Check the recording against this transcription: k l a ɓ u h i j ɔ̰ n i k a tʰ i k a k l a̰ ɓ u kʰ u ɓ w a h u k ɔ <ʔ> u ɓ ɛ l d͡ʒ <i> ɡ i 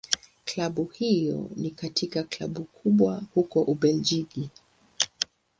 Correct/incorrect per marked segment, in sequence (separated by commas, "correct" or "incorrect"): correct, correct